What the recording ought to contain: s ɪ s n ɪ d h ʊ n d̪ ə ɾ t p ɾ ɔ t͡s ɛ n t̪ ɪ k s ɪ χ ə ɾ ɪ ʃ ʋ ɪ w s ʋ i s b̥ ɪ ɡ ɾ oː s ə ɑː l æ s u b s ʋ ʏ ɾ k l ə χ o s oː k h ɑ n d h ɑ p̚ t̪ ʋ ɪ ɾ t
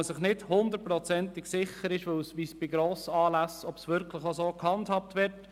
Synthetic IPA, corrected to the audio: s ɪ χ n ɪ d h ʊ n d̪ ə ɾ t p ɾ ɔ t͡s ɛ n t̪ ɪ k s ɪ χ ə ɾ ɪ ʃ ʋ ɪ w s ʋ i s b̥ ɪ ɡ ɾ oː s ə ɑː l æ s ɔ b s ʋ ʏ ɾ k l ə χ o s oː k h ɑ n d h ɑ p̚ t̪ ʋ ɪ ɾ t